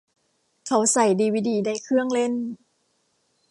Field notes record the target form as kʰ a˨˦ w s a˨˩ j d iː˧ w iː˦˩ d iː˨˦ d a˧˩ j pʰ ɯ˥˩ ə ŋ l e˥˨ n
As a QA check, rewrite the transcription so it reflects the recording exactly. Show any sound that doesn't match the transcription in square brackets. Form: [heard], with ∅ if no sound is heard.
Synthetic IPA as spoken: kʰ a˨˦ w s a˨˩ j d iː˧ w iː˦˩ d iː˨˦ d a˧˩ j [kʰ] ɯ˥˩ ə ŋ l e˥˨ n